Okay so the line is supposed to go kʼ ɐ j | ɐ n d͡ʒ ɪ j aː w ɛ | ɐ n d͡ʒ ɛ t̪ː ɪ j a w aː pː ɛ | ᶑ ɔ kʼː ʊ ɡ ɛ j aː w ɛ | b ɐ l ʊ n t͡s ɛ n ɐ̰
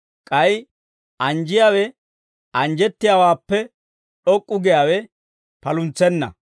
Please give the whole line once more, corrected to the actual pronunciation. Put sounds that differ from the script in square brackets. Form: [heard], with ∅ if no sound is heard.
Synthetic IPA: kʼ ɐ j | ɐ n d͡ʒ ɪ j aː w ɛ | ɐ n d͡ʒ ɛ t̪ː ɪ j a w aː pː ɛ | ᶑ ɔ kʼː ʊ ɡ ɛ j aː w ɛ | [p] ɐ l ʊ n t͡s ɛ [nː] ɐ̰